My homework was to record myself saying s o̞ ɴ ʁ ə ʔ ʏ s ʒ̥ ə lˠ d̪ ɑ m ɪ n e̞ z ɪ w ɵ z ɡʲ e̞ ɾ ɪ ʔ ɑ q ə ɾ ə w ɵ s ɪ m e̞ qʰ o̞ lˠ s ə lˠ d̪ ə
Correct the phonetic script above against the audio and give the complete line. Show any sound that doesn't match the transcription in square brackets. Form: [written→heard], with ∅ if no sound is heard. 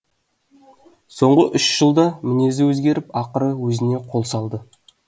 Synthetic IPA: s o̞ ɴ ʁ ə ʔ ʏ [s→ʃ] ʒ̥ ə lˠ d̪ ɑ m ɪ n e̞ z ɪ w ɵ z ɡʲ e̞ ɾ ɪ [ʔ→p] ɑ q ə ɾ ə w ɵ [s→z] ɪ [m→n] e̞ qʰ o̞ lˠ s [ə→ɑ] lˠ d̪ ə

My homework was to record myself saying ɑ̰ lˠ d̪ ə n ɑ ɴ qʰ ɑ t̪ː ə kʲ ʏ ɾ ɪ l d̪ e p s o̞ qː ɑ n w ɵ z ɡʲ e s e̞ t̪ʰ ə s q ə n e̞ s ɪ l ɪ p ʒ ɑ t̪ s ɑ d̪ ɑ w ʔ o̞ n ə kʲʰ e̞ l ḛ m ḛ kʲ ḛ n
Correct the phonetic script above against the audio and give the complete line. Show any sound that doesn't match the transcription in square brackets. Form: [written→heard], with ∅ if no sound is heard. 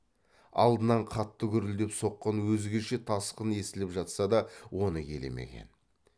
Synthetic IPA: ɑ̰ lˠ d̪ ə n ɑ ɴ qʰ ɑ t̪ː ə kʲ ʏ ɾ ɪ l d̪ e p s o̞ qː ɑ n w ɵ z ɡʲ e [s→ʃ] e̞ t̪ʰ [ə→ɑ] s q ə n e̞ s ɪ l ɪ p ʒ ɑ t̪ s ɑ d̪ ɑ w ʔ o̞ n ə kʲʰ e̞ l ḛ m ḛ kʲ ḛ n

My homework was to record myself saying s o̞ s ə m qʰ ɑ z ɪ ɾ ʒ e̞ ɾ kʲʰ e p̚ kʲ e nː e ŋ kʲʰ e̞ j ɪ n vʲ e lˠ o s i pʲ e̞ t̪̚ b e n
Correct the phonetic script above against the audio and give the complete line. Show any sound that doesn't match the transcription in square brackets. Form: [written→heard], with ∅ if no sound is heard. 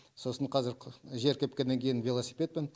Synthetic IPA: s o̞ s ə [m→ɴ] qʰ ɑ z ɪ ɾ ʒ e̞ ɾ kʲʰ e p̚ kʲ e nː e ŋ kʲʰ e̞ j ɪ n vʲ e lˠ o s i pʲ e̞ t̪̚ [b→p] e n

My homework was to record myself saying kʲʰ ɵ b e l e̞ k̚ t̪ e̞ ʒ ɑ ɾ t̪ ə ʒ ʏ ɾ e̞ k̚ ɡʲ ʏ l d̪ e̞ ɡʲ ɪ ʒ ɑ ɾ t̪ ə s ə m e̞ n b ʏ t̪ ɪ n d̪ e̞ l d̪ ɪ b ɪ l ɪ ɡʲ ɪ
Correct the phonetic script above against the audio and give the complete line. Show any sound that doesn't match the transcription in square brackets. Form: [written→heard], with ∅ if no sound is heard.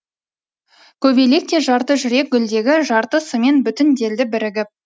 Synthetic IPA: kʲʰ ɵ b e l e̞ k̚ t̪ e̞ ʒ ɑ ɾ t̪ ə ʒ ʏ ɾ e̞ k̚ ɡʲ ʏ l d̪ e̞ ɡʲ ɪ ʒ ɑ ɾ t̪ ə s ə m e̞ n b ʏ t̪ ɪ n d̪ e̞ l d̪ ɪ b ɪ [l→ɾ] ɪ ɡʲ ɪ

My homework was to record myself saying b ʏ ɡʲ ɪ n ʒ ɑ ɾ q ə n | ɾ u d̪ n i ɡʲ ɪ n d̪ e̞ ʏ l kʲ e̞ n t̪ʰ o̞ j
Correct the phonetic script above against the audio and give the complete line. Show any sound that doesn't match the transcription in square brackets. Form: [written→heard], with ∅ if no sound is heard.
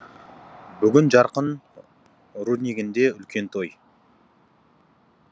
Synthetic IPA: b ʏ ɡʲ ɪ n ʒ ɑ ɾ q ə n | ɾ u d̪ n i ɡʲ ɪ n d̪ e̞ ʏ l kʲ e̞ n t̪ʰ o̞ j

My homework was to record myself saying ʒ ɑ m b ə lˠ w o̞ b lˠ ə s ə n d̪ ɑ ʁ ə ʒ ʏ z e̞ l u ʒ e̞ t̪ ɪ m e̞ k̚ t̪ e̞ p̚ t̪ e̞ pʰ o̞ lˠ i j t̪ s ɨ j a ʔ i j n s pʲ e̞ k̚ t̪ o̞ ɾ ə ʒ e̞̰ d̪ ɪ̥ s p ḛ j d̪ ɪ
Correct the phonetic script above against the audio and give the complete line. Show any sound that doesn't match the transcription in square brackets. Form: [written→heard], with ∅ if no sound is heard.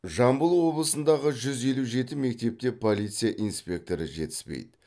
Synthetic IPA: ʒ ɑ m b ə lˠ w o̞ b lˠ ə s ə n d̪ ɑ ʁ ə ʒ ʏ z e̞ l u ʒ e̞ t̪ ɪ m e̞ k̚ t̪ e̞ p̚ t̪ e̞ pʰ o̞ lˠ i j t̪ s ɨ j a ʔ i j n s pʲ e̞ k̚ t̪ o̞ ɾ ə ʒ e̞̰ [d̪→t̪] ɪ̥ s p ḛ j d̪ ɪ

